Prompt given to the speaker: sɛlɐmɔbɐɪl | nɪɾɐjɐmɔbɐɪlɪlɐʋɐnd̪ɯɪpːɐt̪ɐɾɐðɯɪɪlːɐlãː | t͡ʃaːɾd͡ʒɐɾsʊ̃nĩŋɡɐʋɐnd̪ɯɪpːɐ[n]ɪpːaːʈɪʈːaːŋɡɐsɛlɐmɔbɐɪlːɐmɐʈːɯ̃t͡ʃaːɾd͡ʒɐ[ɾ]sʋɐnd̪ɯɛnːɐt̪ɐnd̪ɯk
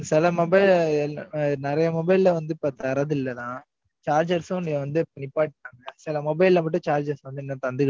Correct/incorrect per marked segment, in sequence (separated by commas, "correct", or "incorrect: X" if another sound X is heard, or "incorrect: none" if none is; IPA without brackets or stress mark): correct, correct